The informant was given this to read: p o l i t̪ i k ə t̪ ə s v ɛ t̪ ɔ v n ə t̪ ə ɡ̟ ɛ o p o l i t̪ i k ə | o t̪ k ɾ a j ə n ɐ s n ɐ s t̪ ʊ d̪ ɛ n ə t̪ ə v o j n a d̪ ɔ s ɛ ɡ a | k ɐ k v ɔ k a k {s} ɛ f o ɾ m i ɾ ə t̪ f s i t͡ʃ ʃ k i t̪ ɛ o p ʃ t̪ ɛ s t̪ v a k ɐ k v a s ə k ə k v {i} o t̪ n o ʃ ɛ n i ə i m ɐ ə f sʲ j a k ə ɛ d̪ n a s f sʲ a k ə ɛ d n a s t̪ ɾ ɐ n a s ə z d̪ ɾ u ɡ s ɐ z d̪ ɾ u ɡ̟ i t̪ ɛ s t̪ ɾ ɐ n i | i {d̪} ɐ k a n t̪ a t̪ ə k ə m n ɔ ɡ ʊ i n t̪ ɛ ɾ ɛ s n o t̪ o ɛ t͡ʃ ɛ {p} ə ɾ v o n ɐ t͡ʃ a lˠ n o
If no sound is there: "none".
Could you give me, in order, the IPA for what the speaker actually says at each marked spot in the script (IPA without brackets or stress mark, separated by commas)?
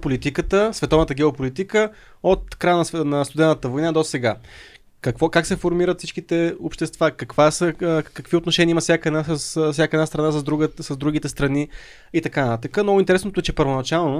s, i, t̪, p